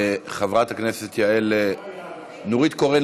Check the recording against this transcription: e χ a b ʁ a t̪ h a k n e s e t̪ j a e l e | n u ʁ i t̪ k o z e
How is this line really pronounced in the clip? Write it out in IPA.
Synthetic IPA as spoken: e χ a v ʁ a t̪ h a k n e s e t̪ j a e l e | n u ʁ i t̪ k o ʁ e